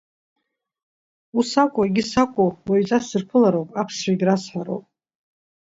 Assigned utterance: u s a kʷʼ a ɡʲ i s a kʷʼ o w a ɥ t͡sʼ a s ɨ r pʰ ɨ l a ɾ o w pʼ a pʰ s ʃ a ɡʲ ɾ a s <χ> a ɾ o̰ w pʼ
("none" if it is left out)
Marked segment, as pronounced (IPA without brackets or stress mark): ħ